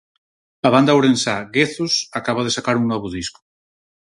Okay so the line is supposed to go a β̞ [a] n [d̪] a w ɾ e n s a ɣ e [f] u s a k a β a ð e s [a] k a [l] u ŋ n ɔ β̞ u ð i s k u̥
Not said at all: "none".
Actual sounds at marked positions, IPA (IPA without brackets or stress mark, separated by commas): a, d̪, θ, a, ɾ